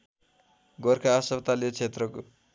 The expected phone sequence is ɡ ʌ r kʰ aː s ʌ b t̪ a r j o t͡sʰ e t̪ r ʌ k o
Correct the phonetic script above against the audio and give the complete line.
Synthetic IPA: ɡ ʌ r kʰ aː s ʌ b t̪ a l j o t͡sʰ e t̪ r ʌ k o